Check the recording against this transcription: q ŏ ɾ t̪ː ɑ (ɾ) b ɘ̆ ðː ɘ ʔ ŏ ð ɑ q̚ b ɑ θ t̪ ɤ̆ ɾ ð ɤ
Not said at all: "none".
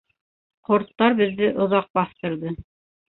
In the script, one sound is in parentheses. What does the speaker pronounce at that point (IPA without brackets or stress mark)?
ɾ